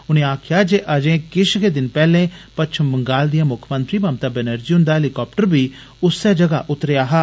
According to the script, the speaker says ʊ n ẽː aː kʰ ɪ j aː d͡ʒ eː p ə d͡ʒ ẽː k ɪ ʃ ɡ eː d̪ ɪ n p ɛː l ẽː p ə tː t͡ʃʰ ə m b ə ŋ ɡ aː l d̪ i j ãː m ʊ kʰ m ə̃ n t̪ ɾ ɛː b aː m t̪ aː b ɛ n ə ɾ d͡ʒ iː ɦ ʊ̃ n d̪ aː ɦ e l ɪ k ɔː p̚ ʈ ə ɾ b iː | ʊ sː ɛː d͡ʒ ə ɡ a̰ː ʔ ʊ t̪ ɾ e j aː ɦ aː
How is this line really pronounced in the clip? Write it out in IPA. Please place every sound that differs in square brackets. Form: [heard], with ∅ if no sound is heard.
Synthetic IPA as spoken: ʊ n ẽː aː kʰ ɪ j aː d͡ʒ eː [ʔ] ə d͡ʒ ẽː k ɪ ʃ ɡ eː d̪ ɪ n p ɛː l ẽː p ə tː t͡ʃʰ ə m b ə ŋ ɡ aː l d̪ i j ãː m ʊ kʰ m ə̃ n t̪ ɾ [iː] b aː m t̪ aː b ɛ n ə ɾ d͡ʒ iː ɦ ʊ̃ n d̪ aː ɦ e l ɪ k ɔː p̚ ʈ ə ɾ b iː | ʊ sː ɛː d͡ʒ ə ɡ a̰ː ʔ ʊ t̪ ɾ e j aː ɦ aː